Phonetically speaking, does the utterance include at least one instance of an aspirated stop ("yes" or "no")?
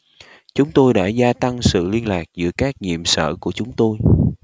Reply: no